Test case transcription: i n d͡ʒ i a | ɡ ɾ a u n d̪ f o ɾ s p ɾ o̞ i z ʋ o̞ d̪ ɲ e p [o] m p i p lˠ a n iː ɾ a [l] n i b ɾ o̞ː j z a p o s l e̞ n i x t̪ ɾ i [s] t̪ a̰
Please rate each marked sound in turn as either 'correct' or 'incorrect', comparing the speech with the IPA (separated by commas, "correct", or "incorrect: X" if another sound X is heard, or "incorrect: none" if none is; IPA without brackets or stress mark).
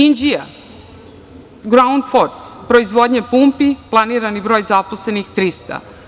incorrect: u, incorrect: none, correct